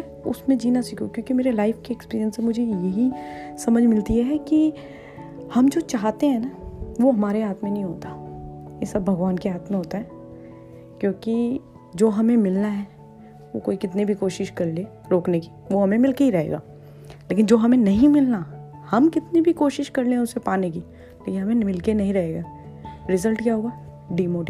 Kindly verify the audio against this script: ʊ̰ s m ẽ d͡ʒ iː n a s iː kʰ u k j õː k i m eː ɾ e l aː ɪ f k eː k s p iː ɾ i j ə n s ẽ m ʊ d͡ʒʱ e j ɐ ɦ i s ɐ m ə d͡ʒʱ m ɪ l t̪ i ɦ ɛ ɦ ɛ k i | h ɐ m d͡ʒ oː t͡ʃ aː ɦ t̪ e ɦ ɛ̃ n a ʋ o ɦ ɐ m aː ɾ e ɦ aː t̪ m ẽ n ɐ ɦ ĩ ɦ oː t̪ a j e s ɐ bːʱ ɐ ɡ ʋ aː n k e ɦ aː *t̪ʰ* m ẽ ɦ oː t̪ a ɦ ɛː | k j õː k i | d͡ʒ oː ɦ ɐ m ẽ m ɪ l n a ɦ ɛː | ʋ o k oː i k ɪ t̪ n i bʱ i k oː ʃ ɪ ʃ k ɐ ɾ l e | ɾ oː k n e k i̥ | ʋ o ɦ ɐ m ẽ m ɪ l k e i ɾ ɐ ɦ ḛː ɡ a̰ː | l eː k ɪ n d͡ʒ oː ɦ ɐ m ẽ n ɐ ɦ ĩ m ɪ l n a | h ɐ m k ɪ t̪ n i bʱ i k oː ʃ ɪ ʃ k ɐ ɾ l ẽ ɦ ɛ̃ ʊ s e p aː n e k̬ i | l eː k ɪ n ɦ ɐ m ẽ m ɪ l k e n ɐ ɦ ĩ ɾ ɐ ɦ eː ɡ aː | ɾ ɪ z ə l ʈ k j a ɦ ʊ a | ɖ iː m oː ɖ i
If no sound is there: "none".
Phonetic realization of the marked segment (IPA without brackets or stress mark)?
t̪